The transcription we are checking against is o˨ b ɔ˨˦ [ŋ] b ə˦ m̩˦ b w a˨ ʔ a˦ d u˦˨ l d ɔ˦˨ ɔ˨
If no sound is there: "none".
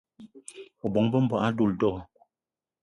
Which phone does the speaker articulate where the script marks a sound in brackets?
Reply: ŋ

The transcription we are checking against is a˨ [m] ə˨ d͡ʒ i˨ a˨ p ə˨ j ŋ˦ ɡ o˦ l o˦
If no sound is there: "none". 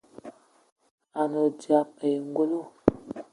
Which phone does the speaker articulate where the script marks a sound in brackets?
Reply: n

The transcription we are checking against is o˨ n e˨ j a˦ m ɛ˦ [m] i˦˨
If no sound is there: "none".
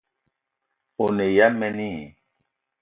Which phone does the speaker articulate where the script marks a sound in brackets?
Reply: n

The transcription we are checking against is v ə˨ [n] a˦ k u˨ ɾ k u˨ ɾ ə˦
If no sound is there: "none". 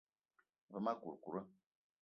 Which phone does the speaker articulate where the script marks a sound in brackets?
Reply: m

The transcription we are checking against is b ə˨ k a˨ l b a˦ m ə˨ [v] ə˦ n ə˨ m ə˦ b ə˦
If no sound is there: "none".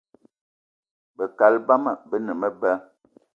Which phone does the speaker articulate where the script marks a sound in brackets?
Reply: b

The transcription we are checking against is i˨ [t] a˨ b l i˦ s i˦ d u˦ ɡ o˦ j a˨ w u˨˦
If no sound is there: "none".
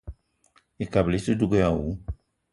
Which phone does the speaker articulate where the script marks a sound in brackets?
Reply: k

